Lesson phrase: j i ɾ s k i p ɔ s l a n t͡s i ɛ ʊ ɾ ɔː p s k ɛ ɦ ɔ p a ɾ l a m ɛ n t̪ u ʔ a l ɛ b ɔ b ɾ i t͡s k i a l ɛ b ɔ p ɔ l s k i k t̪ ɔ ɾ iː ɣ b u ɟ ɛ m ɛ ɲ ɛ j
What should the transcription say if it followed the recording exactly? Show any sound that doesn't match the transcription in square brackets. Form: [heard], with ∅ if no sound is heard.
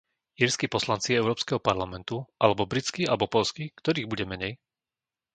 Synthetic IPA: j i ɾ s k i p ɔ s l a n t͡s i ɛ ʊ ɾ ɔː p s k ɛ ɦ ɔ p a ɾ l a m ɛ n t̪ u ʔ a l ɛ b ɔ b ɾ i t͡s k i a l ɛ b ɔ p ɔ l s k i k t̪ ɔ ɾ iː ɣ b u ɟ ɛ m ɛ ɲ ɛ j